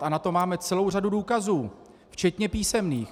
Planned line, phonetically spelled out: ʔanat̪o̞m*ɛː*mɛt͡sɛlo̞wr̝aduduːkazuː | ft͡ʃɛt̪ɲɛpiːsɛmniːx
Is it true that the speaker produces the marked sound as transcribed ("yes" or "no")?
no